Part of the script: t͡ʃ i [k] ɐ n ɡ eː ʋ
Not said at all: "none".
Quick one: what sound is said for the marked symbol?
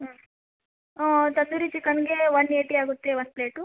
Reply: k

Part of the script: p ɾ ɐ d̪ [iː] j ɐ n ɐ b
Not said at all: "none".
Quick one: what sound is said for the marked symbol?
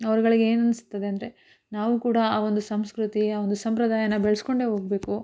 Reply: aː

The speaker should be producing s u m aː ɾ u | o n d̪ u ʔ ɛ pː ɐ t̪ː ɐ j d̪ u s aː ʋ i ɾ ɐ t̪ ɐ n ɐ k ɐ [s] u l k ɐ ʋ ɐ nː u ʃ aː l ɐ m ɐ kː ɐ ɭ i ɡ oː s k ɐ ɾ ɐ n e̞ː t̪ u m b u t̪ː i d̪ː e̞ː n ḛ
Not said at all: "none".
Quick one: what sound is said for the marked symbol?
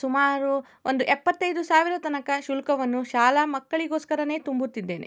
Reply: ʃ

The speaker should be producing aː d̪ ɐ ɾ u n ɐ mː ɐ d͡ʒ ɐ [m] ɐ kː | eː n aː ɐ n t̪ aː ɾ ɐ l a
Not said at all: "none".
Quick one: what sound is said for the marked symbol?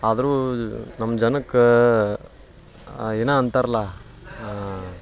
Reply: n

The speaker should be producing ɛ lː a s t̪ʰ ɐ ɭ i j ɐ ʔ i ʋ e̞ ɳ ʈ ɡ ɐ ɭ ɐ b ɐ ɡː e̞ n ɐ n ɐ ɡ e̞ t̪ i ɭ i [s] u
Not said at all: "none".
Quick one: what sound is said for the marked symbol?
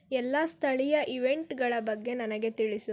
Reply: s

